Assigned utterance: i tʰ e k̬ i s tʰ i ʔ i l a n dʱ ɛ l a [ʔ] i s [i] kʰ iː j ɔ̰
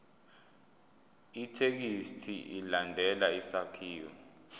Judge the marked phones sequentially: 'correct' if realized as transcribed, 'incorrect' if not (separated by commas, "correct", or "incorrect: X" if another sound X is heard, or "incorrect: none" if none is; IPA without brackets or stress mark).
incorrect: none, incorrect: a